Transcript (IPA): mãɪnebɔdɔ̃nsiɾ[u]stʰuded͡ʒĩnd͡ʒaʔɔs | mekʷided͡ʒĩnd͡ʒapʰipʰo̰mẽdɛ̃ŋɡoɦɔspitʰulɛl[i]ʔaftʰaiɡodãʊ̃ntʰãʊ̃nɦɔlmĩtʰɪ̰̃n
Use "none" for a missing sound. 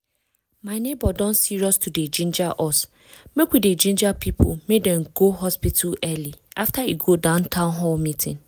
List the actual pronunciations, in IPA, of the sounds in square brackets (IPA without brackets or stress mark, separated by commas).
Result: ɔ, i